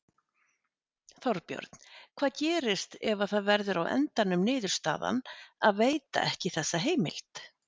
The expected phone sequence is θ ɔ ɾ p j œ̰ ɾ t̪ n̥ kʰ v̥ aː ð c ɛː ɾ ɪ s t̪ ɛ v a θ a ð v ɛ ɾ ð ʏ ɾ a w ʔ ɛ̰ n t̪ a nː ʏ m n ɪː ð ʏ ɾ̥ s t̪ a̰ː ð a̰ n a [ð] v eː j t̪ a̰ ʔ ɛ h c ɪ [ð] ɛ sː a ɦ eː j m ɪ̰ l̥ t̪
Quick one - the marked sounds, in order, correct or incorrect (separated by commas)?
correct, incorrect